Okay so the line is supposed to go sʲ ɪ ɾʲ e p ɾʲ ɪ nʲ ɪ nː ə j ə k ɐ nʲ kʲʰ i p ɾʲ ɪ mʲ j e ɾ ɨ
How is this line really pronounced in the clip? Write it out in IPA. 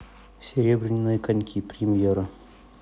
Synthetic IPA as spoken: sʲ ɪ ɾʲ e b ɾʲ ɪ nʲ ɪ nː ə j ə k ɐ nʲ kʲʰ i p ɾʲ ɪ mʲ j e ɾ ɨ